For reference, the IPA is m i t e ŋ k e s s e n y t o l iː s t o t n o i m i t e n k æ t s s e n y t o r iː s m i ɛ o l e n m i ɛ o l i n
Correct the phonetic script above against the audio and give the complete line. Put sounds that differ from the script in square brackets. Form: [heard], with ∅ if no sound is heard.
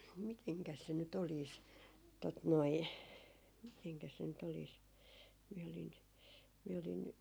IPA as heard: m i t e ŋ k [æ] s s e n y t o l iː s t o t n o i m i t e [ŋ] k æ [∅] s s e n y t o [l] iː s m i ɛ o l [i] n m i ɛ o l i n

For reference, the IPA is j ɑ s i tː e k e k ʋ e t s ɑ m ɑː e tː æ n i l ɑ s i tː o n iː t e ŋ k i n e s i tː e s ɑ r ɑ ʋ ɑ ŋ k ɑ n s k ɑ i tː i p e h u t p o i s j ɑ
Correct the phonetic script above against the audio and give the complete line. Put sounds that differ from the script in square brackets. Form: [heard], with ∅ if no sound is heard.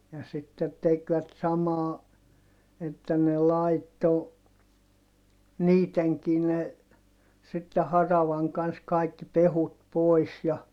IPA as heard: j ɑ s i tː e [t] e k ʋ [æ] t s ɑ m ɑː e tː æ n [e] l ɑ [∅] i tː o n iː t e ŋ k i n e s i tː e [h] ɑ r ɑ ʋ ɑ ŋ k ɑ n s k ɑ i [kː] i p e h u t p o i s j ɑ

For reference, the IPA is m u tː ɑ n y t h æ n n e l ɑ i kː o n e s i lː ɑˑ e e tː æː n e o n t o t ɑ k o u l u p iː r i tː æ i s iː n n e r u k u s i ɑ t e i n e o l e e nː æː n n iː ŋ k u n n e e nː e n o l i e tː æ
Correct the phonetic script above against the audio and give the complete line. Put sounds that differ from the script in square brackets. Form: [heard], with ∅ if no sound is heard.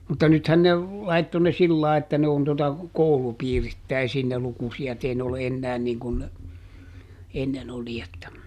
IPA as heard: m u tː ɑ n y t h æ n n e l ɑ i [tː] o n e s i lː ɑˑ e e tː [æ] n e o n t o t ɑ k o u l u p iː r i tː æ i s iː n n e [l] u k u s i ɑ t e i n e o l e e nː æː n n iː ŋ k u n n e e nː e n o l i e tː æ

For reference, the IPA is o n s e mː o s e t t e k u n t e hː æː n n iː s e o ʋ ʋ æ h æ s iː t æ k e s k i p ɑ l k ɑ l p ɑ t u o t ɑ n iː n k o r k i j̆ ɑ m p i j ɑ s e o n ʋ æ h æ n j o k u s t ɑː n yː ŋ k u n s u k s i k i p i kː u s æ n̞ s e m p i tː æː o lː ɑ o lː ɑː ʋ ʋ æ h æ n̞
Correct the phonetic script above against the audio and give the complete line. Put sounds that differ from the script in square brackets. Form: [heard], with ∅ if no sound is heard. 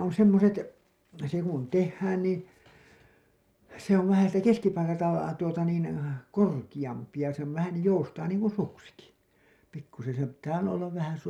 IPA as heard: o n s e mː o s e t [s] e k u n t e hː æː n n iː s e o ʋ ʋ æ h æ s iː t æ k e s k i p ɑ l k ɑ l [t] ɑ t u o t ɑ n iː n k o r k i j̆ ɑ m p i j ɑ s e o n ʋ æ h æ n j o [∅] u s t ɑː n [iː] ŋ k u n s u k s i k i p i kː u s [e] n̞ s e m p i tː æː o lː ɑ o lː [ɑ] ʋ ʋ æ h æ n̞

